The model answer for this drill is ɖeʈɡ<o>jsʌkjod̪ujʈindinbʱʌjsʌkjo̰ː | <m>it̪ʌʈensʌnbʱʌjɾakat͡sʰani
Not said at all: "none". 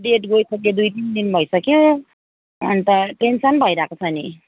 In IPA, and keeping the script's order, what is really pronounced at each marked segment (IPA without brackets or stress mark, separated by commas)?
o, n